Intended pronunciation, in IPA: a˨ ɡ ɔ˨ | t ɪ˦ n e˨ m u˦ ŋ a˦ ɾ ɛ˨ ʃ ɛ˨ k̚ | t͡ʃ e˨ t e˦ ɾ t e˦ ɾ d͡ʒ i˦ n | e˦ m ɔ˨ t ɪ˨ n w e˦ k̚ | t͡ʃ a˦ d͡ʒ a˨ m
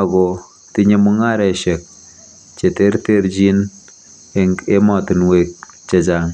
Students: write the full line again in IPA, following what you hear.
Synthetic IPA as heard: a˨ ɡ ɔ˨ | t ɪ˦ ɲ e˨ m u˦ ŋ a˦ ɾ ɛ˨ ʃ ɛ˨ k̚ | t͡ʃ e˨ t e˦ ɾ t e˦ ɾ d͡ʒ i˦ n | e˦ m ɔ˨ t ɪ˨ n w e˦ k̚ | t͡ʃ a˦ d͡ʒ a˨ ŋ